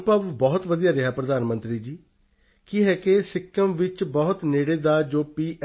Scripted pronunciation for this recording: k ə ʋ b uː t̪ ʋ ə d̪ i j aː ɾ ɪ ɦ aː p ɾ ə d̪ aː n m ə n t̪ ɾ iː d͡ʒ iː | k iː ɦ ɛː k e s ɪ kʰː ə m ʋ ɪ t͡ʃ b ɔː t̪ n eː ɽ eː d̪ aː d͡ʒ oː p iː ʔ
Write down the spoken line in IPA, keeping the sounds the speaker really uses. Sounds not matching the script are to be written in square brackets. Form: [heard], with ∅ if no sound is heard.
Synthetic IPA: [p] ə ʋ b [ɔː] t̪ ʋ ə d̪ i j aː ɾ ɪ ɦ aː p ɾ ə d̪ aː n m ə n t̪ ɾ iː d͡ʒ iː | k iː ɦ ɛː k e s ɪ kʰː ə m ʋ ɪ t͡ʃ b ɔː t̪ n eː ɽ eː d̪ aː d͡ʒ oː p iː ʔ